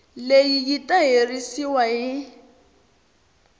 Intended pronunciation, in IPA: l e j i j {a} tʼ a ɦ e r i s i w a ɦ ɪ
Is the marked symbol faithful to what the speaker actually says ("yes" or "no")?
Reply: no